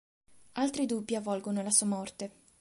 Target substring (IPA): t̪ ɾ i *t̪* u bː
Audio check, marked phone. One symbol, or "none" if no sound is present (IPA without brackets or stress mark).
d̪